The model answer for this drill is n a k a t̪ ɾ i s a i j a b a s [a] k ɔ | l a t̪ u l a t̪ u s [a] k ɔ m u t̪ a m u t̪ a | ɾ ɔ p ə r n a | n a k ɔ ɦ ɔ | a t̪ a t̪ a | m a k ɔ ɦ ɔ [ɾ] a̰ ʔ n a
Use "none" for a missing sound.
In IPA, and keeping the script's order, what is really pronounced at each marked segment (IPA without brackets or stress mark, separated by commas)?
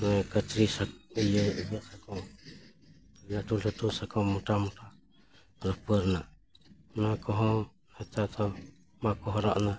a, a, ɾ